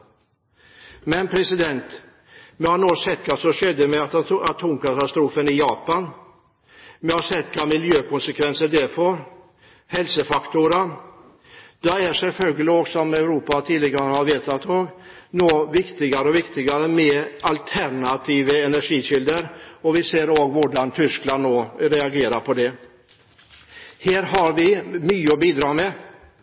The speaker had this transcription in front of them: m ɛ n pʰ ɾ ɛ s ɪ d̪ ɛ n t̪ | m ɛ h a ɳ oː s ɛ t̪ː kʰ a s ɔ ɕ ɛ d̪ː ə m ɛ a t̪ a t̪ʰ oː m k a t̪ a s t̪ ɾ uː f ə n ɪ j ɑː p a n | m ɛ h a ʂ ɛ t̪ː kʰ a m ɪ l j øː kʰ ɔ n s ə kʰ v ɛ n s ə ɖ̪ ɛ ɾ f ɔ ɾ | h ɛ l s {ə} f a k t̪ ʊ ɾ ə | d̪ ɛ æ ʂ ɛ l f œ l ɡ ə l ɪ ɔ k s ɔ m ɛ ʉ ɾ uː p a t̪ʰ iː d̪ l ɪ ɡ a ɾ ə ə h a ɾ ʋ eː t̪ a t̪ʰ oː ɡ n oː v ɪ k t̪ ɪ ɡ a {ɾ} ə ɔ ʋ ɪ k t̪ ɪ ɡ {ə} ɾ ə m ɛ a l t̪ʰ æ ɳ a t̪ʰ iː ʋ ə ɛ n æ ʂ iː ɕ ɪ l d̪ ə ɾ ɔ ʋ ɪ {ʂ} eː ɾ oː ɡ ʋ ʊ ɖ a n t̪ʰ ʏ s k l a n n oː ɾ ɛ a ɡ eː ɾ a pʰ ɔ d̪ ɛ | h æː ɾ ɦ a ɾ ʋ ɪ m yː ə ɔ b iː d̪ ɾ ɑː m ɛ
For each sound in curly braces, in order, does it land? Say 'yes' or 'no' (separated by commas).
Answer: yes, yes, no, no